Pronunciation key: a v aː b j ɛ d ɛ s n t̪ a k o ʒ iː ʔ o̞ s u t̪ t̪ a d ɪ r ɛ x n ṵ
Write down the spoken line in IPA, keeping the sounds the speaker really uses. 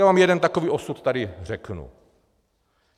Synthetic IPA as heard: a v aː m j ɛ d ɛ n t̪ a k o v iː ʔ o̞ s u t̪ t̪ a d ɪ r ɛ k n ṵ